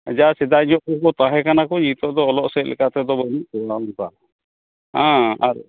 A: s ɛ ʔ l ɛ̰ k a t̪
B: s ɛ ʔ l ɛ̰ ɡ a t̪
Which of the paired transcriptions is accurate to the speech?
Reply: A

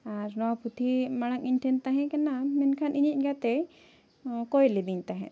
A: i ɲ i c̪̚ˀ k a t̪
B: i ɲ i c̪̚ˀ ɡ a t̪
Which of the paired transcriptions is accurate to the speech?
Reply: B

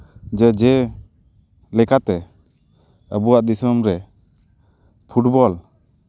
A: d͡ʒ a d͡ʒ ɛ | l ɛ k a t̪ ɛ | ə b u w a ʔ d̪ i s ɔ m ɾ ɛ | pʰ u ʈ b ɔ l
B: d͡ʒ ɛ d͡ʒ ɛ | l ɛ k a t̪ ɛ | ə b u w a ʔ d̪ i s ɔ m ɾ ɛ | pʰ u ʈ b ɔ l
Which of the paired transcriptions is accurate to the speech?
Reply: B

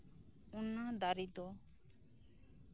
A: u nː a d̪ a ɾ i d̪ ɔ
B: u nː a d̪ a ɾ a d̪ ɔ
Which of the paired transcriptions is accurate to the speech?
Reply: A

